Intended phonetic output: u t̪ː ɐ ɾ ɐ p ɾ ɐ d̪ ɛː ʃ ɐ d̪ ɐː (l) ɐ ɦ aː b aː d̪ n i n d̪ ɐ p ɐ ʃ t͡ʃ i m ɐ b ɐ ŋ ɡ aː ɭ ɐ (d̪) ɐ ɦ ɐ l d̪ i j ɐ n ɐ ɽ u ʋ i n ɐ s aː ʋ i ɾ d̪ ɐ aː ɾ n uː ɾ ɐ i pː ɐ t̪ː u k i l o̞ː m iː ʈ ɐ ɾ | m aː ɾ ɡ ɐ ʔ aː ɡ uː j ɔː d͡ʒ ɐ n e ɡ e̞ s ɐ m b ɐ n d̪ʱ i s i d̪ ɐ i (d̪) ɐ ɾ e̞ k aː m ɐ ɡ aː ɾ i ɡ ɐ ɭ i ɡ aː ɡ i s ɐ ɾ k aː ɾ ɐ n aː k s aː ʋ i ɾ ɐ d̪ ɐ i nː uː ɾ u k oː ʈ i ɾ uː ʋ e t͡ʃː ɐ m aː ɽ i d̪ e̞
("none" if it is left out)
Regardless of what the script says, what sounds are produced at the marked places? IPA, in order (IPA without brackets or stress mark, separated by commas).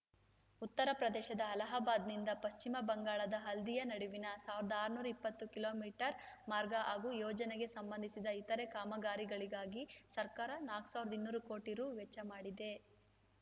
l, d̪, t̪